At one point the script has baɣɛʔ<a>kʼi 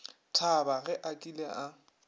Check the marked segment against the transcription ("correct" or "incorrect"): correct